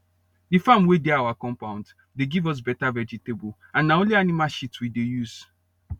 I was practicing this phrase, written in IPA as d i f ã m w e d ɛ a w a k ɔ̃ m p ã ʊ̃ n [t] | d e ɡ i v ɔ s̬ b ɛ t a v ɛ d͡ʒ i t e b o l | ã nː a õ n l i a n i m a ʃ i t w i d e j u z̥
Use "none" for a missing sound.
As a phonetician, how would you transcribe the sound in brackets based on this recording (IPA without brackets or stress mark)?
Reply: d